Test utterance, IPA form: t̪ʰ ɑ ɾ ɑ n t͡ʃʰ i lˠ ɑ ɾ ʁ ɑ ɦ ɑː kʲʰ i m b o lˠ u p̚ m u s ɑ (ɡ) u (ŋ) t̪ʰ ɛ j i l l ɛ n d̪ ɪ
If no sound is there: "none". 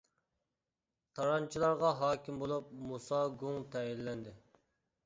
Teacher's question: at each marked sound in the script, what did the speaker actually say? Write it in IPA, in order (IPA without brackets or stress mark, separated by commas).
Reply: ɡ, ŋ